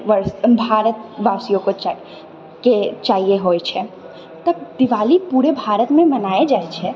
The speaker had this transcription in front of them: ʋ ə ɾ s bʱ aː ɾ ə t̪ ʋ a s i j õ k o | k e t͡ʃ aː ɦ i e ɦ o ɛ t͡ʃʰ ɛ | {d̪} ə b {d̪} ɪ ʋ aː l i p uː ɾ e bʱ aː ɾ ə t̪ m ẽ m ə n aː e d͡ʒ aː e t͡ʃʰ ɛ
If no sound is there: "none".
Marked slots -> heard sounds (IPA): t̪, d̪

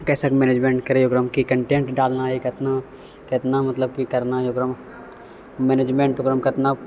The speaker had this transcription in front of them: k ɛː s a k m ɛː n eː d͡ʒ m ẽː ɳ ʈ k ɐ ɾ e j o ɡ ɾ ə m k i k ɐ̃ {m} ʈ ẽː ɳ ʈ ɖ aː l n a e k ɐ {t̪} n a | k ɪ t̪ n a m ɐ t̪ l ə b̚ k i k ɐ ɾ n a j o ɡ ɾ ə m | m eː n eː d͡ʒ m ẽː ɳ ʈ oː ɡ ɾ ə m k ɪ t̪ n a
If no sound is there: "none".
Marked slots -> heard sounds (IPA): ɳ, t̪

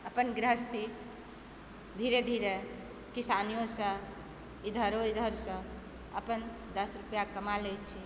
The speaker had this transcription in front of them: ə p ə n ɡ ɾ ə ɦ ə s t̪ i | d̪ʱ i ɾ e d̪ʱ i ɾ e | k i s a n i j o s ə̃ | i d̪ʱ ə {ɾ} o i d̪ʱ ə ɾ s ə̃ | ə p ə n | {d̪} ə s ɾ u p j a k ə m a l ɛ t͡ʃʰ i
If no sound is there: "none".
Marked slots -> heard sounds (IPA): ɾ, d̪

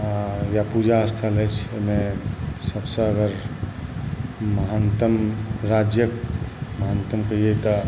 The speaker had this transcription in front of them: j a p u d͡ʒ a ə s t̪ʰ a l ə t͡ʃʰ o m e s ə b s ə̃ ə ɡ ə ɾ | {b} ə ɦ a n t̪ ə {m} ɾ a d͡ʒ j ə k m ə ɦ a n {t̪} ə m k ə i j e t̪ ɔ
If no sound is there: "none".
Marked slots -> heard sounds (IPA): m, m, t̪

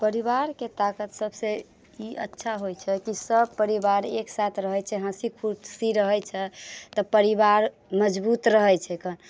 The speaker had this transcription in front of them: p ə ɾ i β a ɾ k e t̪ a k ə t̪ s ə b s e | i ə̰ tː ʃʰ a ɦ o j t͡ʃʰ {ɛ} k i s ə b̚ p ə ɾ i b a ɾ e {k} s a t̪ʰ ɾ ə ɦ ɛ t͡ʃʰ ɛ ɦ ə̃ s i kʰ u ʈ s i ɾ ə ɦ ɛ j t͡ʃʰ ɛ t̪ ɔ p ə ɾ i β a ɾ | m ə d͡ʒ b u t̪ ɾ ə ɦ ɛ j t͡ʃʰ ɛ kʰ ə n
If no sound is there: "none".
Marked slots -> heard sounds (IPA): ɛ, k

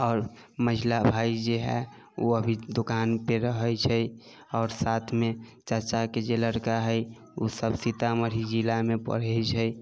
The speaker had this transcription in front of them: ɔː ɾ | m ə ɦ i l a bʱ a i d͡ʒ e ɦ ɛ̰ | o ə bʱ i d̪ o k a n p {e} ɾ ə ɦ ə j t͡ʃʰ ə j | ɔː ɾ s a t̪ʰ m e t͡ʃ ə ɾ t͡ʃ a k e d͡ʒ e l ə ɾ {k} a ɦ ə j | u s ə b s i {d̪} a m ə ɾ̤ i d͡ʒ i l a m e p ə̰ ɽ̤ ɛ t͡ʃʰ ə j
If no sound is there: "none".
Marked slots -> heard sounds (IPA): e, k, t̪

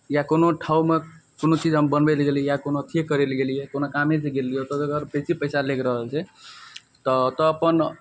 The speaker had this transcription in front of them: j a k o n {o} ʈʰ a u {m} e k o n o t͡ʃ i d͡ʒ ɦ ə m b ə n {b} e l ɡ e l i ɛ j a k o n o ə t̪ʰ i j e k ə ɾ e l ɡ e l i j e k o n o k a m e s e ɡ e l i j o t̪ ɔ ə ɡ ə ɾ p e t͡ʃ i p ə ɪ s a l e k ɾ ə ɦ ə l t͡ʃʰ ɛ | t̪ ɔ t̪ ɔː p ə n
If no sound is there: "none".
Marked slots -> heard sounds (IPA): o, m, b

